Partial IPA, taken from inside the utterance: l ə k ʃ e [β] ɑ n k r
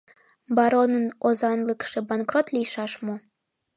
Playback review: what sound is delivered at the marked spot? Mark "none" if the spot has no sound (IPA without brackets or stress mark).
b